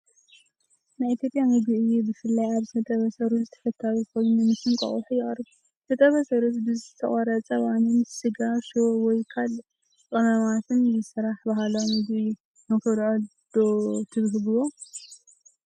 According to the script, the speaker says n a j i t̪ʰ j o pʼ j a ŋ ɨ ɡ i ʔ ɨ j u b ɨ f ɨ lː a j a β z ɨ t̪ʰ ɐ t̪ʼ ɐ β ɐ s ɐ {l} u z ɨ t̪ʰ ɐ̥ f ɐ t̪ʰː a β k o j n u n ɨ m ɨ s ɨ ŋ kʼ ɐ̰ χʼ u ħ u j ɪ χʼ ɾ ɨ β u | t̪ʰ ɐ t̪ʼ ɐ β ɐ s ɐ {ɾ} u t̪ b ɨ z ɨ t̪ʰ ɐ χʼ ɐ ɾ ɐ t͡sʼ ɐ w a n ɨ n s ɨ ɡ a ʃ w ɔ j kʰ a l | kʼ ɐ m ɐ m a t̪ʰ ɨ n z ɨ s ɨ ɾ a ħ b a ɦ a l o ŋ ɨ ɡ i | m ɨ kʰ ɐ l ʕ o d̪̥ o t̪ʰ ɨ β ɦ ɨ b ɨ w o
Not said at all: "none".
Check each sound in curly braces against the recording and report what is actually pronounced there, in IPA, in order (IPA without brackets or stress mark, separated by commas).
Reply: ɾ, ɾ